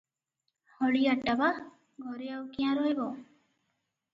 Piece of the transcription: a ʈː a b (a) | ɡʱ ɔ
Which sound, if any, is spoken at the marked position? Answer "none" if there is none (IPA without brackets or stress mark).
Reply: a